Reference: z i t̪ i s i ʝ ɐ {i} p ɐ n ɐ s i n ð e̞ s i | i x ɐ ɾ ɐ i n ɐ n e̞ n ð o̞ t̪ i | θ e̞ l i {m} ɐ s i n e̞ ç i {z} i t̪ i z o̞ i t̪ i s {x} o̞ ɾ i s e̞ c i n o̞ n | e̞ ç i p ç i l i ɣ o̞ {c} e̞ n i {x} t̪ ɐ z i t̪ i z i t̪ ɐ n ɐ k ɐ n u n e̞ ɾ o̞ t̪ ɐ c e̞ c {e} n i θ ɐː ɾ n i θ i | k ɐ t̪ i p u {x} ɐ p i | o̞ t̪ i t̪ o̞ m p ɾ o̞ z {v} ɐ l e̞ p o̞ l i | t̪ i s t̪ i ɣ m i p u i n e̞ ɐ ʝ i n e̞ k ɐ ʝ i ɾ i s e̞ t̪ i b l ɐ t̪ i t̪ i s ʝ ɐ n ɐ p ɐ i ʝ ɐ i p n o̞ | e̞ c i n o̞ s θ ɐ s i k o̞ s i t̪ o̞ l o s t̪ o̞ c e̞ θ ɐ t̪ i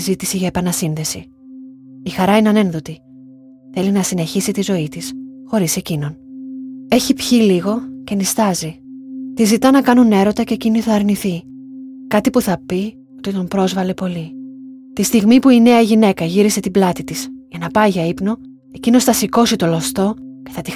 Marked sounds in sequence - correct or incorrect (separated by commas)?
incorrect, incorrect, incorrect, correct, correct, incorrect, incorrect, incorrect, correct